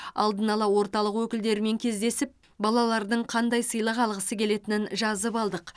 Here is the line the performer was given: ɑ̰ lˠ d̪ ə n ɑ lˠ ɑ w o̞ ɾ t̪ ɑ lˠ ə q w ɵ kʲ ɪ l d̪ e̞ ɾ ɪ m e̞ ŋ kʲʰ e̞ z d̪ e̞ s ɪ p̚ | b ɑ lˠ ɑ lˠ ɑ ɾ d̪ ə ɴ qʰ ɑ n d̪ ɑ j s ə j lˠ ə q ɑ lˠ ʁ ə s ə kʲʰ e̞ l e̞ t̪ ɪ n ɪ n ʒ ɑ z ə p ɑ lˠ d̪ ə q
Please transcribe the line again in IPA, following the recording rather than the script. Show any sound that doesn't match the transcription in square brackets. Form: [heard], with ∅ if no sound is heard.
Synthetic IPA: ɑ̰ lˠ d̪ ə n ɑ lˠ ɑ w o̞ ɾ t̪ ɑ lˠ ə q w ɵ kʲ ɪ l d̪ e̞ ɾ ɪ m e̞ ŋ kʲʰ e̞ z d̪ e̞ s ɪ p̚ | b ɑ lˠ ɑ lˠ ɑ ɾ d̪ ə ɴ qʰ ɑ n d̪ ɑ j s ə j lˠ ə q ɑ lˠ ʁ ə s ə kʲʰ e̞ l e̞ t̪ ɪ n ɪ n ʒ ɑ z ə p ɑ lˠ d̪ ə q